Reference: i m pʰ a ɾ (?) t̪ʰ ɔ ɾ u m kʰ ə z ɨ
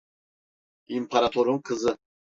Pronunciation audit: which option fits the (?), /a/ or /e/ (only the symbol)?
a